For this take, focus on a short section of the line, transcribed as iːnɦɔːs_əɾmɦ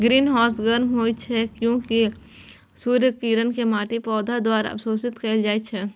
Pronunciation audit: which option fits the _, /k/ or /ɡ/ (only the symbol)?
ɡ